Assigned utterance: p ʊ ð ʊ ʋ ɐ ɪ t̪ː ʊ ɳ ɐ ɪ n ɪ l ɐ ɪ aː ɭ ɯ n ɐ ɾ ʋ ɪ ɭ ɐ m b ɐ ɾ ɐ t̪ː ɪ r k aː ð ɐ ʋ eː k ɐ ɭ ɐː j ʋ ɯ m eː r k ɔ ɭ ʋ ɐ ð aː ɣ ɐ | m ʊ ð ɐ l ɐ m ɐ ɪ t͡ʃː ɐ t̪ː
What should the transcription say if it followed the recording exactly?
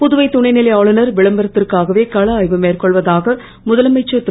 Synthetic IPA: p ʊ ð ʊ ʋ ɐ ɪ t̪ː ʊ ɳ ɐ ɪ n ɪ l ɐ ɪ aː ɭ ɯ n ɐ ɾ ʋ ɪ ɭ ɐ m b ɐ ɾ ɐ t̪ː ɪ r k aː ɣ ɐ ʋ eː k ɐ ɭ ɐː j ʋ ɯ m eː r k ɔ ɭ ʋ ɐ ð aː ɣ ɐ | m ʊ ð ɐ l ɐ m ɐ ɪ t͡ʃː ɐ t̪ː